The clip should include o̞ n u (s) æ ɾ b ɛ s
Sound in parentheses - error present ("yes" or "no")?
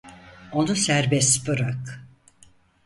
no